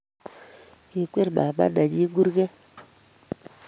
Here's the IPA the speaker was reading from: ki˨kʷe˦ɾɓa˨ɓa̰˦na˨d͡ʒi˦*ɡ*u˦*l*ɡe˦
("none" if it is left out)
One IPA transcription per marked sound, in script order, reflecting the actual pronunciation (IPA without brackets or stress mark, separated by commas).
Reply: ɡ, ɾ